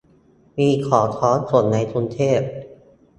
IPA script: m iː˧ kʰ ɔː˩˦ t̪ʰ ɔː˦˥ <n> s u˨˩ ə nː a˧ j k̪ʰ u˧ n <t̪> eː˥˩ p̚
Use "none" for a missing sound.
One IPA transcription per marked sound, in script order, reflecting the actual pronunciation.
n, t̪ʰ

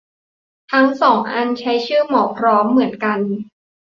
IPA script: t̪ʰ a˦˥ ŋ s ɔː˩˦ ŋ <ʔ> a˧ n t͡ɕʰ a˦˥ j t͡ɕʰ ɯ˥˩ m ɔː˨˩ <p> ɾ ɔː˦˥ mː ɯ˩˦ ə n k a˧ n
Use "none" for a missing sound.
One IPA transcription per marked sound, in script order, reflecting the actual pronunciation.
ʔ, pʰ

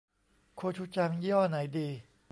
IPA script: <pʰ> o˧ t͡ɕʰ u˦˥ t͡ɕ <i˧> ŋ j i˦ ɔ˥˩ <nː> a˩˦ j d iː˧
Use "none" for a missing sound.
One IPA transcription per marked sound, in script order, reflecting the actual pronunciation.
kʰ, a˧, n

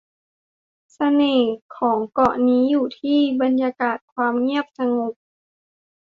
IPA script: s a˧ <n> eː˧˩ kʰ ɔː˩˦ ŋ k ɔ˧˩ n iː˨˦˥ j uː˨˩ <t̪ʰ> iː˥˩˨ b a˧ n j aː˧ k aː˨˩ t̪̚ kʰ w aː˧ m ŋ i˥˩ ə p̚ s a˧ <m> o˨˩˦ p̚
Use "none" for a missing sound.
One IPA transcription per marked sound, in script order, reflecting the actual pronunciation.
n, t̪ʰ, ŋ

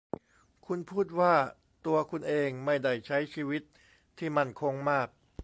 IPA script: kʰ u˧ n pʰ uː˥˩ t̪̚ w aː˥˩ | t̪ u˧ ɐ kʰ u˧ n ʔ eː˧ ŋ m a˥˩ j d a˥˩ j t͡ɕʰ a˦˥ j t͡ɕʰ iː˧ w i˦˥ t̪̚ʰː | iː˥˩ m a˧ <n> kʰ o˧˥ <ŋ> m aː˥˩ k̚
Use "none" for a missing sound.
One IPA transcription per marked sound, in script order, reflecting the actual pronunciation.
n, ŋ

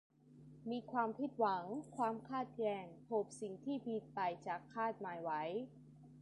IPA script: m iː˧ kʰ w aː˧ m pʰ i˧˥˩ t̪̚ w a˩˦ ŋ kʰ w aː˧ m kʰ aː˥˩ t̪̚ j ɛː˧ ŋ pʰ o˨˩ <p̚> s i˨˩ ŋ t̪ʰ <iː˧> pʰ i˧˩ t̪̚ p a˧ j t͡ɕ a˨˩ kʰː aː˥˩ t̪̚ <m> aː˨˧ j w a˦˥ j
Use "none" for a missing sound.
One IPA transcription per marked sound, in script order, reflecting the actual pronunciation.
p̚, iː˥˩, m

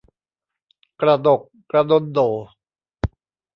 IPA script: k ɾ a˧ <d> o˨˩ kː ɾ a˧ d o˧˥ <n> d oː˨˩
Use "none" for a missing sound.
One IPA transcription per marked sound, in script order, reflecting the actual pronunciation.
d, n

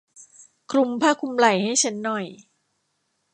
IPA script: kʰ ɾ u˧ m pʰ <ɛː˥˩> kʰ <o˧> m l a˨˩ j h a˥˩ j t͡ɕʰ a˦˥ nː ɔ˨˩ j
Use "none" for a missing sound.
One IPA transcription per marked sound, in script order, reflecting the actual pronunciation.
aː˥˩, u˧

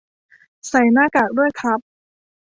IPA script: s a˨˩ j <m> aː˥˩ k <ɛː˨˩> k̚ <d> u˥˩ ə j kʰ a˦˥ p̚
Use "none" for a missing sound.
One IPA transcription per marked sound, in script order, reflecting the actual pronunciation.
n, aː˨˩, d

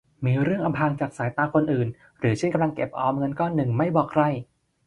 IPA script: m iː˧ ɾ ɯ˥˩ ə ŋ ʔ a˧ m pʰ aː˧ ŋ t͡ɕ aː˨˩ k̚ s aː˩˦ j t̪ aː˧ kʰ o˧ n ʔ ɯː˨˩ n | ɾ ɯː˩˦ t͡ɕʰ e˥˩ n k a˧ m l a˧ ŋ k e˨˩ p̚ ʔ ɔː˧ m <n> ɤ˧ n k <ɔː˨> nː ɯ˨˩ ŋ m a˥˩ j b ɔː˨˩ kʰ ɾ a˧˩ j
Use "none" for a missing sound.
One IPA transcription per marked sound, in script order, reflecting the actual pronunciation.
ŋ, ɔː˥˩

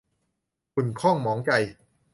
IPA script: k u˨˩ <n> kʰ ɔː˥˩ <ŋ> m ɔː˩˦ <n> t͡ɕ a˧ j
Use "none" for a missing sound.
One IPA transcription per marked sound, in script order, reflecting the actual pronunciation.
n, ŋ, ŋ

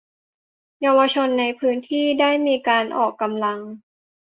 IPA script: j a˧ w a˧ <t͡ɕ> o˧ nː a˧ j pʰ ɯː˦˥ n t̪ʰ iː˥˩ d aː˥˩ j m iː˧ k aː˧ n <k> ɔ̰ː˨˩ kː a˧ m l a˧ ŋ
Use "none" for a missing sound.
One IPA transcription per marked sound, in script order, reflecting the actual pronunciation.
t͡ɕʰ, ʔ

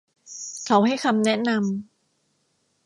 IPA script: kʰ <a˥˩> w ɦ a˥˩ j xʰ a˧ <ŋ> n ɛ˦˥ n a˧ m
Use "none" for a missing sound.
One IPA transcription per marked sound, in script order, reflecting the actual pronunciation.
a˦, m

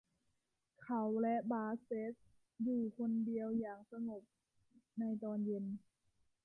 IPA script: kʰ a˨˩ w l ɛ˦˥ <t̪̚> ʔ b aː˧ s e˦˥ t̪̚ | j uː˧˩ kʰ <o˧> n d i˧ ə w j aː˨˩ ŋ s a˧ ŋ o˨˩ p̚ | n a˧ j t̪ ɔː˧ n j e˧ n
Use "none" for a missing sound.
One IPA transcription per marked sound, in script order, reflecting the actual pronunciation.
none, o˧

